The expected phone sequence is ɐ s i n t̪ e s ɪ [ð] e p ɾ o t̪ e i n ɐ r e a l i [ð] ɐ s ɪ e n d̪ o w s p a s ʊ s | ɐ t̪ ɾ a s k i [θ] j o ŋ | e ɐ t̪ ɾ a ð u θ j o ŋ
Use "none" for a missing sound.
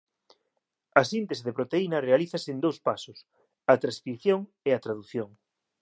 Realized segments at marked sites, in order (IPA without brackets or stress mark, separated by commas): ð, θ, θ